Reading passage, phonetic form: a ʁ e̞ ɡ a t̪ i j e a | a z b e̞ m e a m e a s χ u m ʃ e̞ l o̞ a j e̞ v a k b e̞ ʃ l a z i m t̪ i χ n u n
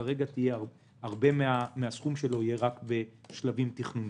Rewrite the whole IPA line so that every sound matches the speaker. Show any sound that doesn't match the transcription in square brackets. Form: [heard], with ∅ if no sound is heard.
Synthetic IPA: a ʁ e̞ ɡ a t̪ i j e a | a [ʁ] b e̞ m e a m e a s χ u m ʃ e̞ l o̞ [i] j e̞ [ʁ] a k b e̞ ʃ l a [v] i m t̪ i χ n u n